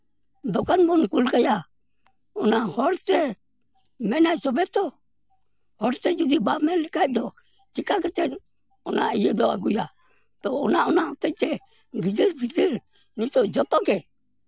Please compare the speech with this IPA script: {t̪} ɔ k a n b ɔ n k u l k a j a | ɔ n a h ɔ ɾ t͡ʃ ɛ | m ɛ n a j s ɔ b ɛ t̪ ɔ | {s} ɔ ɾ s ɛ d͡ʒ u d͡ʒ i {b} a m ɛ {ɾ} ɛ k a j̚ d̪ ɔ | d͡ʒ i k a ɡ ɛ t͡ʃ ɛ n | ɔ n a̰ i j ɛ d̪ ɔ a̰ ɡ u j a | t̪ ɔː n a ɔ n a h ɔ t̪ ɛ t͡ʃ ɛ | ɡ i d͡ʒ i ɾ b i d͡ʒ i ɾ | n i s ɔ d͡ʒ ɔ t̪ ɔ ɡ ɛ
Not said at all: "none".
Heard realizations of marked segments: d̪, h, b, l

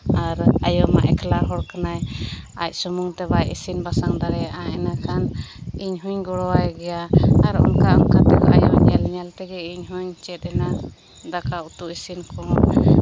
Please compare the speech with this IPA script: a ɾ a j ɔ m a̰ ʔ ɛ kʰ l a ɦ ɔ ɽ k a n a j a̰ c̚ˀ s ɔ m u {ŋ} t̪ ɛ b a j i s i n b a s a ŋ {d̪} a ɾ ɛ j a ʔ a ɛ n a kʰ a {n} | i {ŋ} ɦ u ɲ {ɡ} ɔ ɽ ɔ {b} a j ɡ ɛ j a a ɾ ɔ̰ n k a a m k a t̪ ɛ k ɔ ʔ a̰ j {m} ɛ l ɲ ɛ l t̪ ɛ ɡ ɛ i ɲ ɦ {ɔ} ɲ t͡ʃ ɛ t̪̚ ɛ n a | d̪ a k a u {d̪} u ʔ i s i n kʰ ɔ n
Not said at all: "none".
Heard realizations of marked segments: ŋ, d̪, n, ɲ, ɡ, w, ɲ, u, t̪

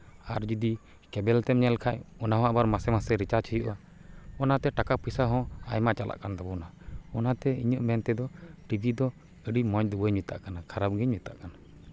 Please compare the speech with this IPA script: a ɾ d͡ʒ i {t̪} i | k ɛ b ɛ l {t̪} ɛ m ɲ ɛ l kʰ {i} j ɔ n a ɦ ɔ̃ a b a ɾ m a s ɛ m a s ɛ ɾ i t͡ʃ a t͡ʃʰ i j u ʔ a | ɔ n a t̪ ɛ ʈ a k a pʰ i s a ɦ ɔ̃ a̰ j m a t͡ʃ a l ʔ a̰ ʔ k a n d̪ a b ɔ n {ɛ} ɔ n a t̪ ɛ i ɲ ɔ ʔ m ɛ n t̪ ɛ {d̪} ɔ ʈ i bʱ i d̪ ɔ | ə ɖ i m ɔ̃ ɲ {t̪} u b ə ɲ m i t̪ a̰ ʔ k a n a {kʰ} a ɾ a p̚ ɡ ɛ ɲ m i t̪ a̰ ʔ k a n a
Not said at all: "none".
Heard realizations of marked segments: d̪, t̪, a, a, d̪, d̪, kʰ

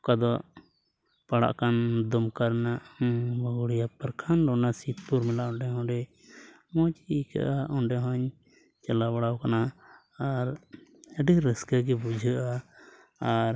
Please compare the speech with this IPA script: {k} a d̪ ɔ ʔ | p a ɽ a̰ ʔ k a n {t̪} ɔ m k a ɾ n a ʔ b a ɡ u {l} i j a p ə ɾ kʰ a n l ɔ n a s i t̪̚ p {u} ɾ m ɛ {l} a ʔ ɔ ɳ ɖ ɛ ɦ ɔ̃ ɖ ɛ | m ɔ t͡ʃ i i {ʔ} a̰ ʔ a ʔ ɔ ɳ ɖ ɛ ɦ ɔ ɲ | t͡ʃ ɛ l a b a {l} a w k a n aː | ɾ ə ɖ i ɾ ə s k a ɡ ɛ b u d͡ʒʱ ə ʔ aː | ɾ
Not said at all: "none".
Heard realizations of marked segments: k, d̪, ɽ, u, l, k, ɽ

